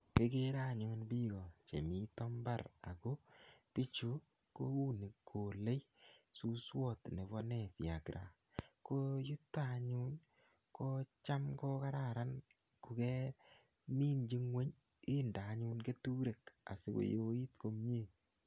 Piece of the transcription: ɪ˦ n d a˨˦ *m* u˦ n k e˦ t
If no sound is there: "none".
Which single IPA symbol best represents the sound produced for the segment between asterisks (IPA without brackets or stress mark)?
ɲ